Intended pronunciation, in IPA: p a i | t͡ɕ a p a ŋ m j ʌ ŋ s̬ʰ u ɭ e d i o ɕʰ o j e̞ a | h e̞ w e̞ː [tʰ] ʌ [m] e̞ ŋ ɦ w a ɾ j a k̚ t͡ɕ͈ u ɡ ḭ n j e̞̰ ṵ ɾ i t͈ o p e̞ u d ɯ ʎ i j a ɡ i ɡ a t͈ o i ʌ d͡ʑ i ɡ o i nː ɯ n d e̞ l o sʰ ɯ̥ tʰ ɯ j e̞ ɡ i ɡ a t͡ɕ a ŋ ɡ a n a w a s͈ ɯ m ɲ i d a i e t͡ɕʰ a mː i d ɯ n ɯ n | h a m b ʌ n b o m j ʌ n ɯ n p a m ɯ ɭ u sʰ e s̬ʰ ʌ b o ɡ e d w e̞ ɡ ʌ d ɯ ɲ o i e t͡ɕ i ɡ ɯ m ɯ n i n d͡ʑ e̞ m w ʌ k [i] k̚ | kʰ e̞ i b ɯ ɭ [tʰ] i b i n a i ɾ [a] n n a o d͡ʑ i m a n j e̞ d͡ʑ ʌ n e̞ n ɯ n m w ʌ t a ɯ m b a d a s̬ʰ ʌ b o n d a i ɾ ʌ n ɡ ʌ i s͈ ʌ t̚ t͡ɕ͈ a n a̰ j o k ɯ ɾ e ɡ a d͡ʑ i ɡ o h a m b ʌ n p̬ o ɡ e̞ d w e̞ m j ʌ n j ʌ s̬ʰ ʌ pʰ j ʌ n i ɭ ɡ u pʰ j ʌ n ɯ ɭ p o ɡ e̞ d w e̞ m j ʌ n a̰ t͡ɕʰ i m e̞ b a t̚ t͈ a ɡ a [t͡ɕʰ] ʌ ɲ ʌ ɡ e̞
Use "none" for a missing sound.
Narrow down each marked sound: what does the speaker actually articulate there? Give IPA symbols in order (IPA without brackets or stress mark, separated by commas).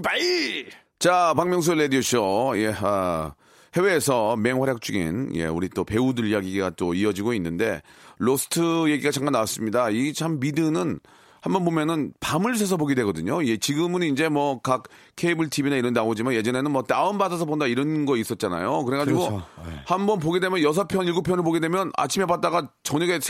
sʰ, m, a, tʰ, ʌ, t͡ɕ